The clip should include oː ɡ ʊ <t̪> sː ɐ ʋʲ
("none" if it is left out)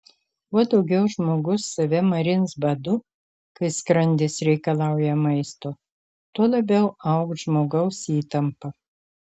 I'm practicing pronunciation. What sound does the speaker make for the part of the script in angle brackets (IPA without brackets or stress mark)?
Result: none